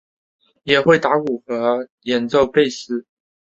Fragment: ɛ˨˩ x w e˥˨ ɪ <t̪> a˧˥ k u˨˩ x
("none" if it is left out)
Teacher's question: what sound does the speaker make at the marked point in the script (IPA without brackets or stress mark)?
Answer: t̪